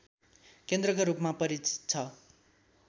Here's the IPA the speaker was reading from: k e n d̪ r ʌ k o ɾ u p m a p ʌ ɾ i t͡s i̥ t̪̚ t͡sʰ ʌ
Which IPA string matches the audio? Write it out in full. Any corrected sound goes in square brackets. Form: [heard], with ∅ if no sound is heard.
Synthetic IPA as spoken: k e n d̪ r ʌ k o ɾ u p m a p ʌ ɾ i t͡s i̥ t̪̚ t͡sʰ ʌ